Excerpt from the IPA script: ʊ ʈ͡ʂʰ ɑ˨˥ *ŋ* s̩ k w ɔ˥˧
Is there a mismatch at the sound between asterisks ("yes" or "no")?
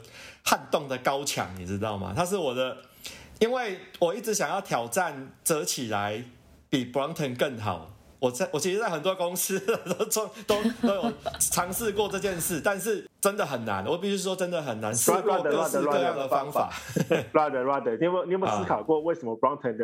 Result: no